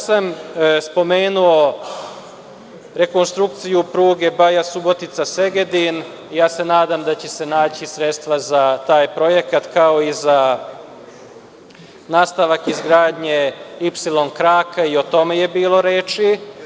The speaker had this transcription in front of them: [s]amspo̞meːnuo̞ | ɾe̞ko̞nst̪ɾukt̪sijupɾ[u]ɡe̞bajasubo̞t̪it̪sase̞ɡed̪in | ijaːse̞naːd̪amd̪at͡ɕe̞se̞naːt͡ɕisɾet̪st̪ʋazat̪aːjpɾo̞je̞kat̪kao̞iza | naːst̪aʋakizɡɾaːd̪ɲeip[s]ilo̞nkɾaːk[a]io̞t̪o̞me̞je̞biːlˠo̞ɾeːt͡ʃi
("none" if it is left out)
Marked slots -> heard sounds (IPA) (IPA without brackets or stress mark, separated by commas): s, uː, s, a